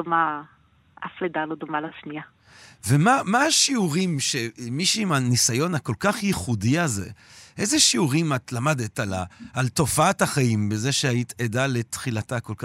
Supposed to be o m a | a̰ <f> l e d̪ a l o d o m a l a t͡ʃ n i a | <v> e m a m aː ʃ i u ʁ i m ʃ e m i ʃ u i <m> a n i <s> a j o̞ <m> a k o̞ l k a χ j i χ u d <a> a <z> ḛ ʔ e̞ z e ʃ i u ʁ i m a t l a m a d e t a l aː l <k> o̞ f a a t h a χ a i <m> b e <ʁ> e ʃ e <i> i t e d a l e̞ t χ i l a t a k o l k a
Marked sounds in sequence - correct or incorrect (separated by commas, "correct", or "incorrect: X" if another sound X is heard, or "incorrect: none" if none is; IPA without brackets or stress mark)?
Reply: correct, correct, correct, correct, incorrect: n, incorrect: i, correct, incorrect: t, correct, incorrect: z, incorrect: a